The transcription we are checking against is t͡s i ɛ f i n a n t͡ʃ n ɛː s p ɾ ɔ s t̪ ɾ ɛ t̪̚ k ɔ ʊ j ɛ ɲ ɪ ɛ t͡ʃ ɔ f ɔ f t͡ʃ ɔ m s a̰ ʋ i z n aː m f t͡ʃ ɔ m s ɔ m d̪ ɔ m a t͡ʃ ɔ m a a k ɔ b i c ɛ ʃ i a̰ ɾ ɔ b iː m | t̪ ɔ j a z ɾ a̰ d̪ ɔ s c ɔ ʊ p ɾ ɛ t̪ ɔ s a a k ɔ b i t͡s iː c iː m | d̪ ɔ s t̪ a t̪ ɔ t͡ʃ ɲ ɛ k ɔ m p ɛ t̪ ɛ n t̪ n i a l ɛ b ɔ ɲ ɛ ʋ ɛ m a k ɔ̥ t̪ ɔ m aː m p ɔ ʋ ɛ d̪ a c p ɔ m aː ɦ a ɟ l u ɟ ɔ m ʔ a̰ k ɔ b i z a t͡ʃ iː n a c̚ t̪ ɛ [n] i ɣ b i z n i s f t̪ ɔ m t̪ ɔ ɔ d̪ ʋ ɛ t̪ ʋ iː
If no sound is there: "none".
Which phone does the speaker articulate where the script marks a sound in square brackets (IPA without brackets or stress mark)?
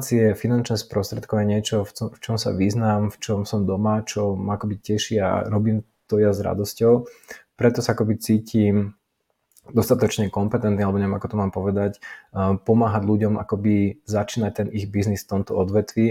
n